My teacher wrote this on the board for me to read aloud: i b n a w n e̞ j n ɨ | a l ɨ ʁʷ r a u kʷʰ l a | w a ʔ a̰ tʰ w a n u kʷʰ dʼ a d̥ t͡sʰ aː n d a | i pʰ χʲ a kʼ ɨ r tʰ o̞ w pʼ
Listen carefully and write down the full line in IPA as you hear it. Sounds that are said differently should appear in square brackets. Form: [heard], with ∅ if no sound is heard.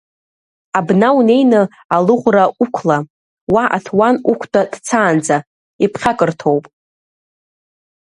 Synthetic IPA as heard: [a] b n a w n e̞ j n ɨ | a l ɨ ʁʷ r a u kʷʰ l a | w a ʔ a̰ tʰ w a n u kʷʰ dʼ a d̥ t͡sʰ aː n [d͡z] a | i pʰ χʲ a kʼ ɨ r tʰ o̞ w pʼ

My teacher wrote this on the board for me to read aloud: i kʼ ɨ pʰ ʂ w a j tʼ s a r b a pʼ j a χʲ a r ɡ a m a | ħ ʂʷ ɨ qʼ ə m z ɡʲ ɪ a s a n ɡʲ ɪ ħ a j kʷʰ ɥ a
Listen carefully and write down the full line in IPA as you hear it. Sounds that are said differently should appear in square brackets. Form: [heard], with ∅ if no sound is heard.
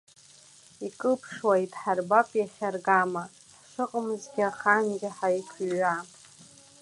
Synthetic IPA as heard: i kʼ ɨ pʰ ʂ w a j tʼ [ħ] a r b a pʼ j a χʲ a r ɡ a m a | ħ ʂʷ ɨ qʼ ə m z ɡʲ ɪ a [χ] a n ɡʲ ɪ ħ a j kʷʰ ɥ a

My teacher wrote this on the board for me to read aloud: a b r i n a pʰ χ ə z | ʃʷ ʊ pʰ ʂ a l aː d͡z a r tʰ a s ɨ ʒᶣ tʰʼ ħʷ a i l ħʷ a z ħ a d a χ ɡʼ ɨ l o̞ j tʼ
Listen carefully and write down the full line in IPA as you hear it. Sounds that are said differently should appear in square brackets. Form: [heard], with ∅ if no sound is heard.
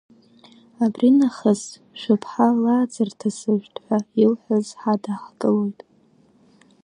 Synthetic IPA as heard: a b r i n a [∅] χ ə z | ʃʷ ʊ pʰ [ħ] a l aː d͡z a r tʰ a s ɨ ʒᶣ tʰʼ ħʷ a i l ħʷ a z ħ a d a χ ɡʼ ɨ l o̞ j tʼ

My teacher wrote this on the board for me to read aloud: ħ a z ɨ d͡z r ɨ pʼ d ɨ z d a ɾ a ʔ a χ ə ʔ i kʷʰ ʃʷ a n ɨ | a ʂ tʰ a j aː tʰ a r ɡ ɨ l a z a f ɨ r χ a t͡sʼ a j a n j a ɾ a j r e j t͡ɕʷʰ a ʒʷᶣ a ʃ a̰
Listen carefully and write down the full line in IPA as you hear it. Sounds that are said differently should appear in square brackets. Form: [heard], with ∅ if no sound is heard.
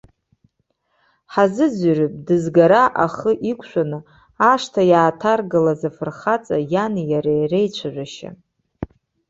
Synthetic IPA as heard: ħ a z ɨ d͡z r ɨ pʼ d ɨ z [ɡ] a ɾ a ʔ a χ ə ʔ i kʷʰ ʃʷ a n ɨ | a ʂ tʰ a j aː tʰ a r ɡ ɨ l a z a f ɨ r χ a t͡sʼ a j a n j a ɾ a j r e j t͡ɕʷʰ a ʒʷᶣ a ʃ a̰

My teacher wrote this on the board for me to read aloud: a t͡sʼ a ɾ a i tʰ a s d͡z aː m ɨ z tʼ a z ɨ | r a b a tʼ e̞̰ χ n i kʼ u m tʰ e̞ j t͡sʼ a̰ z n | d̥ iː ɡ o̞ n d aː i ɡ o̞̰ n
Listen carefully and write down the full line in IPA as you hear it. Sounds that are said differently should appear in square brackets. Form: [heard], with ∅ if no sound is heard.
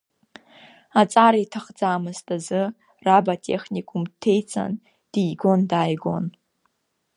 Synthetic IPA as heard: a t͡sʼ a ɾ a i tʰ a [χ] d͡z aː m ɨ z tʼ a z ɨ | r a b a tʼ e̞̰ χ n i kʼ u m tʰ e̞ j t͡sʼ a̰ [∅] n | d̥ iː ɡ o̞ n d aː [j] ɡ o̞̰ n

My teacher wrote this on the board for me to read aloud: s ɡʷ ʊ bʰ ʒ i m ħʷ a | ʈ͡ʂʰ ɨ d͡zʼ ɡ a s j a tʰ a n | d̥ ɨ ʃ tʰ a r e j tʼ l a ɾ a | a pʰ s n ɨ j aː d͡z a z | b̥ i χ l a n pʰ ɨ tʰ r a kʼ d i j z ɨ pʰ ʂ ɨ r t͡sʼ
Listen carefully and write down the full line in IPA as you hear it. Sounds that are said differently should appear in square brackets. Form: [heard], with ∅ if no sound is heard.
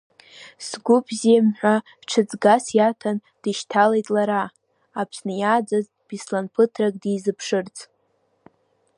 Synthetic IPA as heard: s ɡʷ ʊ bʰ [z] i m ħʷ a | ʈ͡ʂʰ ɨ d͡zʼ ɡ a s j a tʰ a n | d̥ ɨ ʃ tʰ a [l] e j tʼ l a ɾ a | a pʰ s n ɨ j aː d͡z a z | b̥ i [s] l a n pʰ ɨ tʰ r a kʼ d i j z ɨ pʰ ʂ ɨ r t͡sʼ

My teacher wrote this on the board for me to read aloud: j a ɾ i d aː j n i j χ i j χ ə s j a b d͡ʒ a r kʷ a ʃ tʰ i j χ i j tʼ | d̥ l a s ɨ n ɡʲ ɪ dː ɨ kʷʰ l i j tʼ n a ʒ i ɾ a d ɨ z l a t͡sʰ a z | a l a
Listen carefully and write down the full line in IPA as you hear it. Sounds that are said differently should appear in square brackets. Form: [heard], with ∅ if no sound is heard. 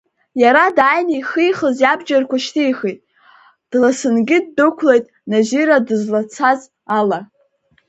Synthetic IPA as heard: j a ɾ [a] d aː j n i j χ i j χ ə [z] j a b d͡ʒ a r kʷ a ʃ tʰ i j χ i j tʼ | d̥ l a s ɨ n ɡʲ ɪ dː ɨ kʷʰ l [e] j tʼ n a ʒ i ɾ a d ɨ z l a t͡sʰ a z | a l a

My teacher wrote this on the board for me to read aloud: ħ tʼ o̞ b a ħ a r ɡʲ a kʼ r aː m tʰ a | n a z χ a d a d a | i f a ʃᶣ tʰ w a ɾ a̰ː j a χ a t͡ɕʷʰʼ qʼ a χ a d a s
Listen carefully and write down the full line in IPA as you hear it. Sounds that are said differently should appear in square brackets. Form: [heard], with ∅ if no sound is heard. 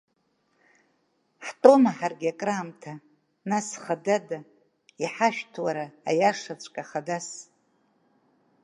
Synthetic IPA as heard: ħ tʼ o̞ [m] a ħ a r ɡʲ a kʼ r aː m tʰ a | n a [s] χ a d a d a | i [ħ] a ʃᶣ tʰ w a ɾ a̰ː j a [ʂ] a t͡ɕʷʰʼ [kʼ] a χ a d a s

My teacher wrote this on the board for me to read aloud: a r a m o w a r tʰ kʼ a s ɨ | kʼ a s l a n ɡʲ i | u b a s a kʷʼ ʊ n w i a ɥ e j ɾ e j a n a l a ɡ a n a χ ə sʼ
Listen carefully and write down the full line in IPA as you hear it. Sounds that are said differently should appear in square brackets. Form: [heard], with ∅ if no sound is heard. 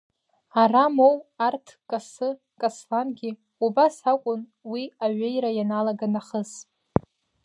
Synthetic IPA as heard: a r a m o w a r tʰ kʼ a s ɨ | kʼ a s l a n ɡʲ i | u b a s a kʷʼ ʊ n w i a ɥ e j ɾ [a] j a n a l a ɡ a n a χ ə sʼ

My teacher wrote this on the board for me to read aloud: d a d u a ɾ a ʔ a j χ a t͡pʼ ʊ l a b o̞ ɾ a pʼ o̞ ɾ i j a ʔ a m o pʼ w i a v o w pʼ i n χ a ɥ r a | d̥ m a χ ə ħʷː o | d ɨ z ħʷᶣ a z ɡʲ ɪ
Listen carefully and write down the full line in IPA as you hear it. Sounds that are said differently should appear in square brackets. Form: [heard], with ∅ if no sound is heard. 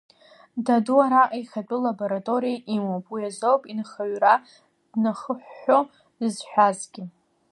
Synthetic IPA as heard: d a d u a ɾ a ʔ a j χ a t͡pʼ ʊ l a b o̞ ɾ a [tʼ] o̞ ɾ i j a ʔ [i] m o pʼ w i a [z] o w pʼ i n χ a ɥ r a | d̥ [n] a χ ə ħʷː o | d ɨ z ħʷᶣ a z ɡʲ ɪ

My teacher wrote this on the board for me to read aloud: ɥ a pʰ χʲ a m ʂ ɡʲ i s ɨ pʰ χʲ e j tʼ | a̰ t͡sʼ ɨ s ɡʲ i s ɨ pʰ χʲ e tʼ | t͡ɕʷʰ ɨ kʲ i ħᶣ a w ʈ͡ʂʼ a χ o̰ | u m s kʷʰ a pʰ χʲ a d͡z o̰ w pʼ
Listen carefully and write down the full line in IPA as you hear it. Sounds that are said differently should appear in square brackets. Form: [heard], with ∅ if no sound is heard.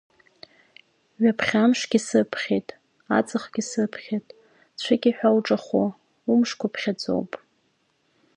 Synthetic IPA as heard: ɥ a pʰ χʲ a m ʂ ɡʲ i s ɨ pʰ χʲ e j tʼ | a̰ t͡sʼ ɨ [χ] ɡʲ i s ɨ pʰ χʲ e tʼ | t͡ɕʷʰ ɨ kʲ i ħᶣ a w ʈ͡ʂʼ a χ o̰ | u m [ʂ] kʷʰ a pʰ χʲ a d͡z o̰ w pʼ

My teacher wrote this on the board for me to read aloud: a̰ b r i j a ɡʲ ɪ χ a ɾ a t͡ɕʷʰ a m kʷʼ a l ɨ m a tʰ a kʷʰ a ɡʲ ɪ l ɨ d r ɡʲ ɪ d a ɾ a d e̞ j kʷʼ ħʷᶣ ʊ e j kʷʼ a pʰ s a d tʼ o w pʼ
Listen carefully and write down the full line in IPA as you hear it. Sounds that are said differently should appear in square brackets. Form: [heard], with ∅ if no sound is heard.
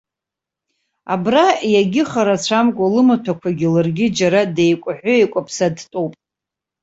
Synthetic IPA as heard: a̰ b r [a] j a ɡʲ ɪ χ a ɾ a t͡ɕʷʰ a m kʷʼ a l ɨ m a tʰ a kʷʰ a ɡʲ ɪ l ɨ [∅] r ɡʲ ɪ [d͡ʒ] a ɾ a d e̞ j kʷʼ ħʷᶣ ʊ e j kʷʼ a pʰ s a d tʼ o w pʼ

